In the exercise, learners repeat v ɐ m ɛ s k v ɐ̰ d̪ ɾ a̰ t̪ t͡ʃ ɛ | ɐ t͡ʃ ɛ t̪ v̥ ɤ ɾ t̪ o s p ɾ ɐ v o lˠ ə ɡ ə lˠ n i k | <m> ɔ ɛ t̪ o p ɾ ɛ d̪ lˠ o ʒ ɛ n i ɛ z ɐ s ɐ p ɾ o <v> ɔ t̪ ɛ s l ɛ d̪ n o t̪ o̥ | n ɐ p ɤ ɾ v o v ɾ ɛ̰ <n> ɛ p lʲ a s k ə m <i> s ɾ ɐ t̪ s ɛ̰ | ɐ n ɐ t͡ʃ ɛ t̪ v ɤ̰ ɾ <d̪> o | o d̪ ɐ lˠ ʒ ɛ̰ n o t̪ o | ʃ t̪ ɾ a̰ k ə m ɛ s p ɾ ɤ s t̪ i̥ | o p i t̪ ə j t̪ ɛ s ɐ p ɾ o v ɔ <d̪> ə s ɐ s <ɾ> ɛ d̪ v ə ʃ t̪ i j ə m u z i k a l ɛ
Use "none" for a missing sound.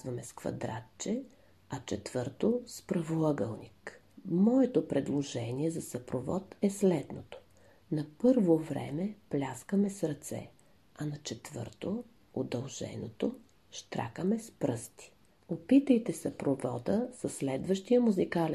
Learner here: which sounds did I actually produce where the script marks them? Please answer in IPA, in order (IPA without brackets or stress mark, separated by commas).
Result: m, v, m, ɛ, t̪, d̪, l